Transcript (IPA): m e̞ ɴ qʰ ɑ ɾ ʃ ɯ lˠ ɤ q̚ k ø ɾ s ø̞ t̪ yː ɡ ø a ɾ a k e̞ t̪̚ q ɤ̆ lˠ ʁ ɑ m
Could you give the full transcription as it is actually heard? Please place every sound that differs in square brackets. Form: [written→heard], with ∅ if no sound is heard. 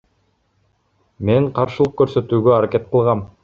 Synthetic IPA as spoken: m e̞ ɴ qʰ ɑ ɾ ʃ ɯ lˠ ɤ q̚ k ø ɾ s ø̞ t̪ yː ɡ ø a ɾ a k e̞ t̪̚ q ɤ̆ lˠ ʁ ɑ m